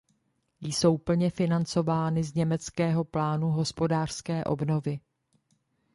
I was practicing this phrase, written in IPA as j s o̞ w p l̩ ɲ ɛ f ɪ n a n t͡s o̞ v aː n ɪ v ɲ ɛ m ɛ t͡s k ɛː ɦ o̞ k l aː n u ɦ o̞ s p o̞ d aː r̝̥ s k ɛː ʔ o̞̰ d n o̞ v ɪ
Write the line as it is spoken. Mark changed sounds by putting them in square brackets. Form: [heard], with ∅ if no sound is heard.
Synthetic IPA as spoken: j s o̞ w p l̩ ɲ ɛ f ɪ n a n t͡s o̞ v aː n ɪ [z] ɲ ɛ m ɛ t͡s k ɛː ɦ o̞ [p] l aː n u ɦ o̞ s p o̞ d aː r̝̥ s k ɛː ʔ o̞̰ [b] n o̞ v ɪ